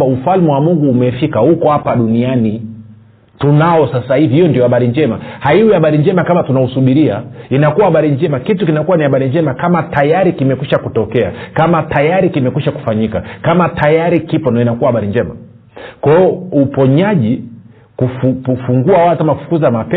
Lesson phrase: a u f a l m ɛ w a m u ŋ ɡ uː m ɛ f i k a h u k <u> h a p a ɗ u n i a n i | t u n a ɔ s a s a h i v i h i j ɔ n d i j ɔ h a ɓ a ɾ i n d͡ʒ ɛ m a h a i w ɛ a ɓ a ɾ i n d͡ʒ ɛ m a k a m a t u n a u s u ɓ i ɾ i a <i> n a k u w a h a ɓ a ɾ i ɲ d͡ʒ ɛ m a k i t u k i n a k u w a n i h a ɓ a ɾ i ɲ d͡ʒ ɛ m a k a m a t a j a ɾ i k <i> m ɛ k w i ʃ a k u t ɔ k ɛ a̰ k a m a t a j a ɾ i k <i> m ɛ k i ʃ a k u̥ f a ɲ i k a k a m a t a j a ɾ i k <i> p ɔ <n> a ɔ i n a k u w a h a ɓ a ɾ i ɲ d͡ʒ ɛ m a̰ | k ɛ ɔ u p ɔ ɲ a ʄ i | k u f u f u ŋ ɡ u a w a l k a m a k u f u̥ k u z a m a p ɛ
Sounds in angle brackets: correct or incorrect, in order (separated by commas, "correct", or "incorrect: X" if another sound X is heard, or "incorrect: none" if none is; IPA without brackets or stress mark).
incorrect: ɔ, correct, correct, correct, correct, correct